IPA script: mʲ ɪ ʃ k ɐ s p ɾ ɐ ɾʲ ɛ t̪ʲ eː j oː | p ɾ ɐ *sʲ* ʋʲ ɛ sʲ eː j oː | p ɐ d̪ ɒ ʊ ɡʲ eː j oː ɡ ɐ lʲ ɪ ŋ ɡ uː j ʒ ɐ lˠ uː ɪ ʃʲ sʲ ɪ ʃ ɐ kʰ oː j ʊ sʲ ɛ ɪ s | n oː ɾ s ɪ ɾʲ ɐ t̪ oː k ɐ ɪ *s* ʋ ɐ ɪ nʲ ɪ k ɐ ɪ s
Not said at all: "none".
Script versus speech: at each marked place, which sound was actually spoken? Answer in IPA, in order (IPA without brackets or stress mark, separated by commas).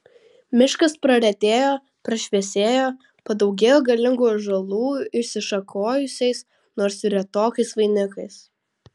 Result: ʃʲ, s